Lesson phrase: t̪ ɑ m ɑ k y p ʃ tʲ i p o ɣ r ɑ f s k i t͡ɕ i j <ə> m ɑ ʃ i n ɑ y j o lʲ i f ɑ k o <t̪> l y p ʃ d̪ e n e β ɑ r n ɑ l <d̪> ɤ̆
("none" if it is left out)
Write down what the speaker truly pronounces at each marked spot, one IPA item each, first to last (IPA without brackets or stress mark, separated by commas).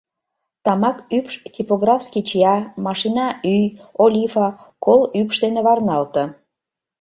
ɑ, none, t̪